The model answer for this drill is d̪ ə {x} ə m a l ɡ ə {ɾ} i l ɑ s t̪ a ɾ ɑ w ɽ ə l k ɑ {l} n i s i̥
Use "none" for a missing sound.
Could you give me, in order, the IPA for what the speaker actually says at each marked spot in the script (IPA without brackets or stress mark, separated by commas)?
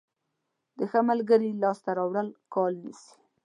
x, ɾ, l